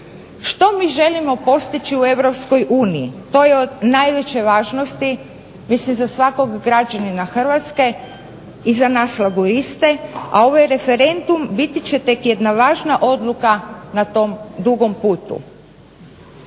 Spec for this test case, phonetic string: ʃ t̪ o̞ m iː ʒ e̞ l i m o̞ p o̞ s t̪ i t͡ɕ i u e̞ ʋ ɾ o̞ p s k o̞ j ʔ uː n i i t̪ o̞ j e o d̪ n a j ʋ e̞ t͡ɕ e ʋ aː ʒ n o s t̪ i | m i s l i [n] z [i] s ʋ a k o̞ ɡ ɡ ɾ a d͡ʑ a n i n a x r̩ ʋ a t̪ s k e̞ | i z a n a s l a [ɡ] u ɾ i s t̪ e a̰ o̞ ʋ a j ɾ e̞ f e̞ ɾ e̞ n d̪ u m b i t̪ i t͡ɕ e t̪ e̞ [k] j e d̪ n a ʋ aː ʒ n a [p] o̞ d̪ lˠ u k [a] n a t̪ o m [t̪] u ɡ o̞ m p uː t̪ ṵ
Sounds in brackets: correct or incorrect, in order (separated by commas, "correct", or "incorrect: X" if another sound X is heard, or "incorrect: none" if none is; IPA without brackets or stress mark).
incorrect: m, incorrect: a, correct, correct, incorrect: ʔ, correct, incorrect: d̪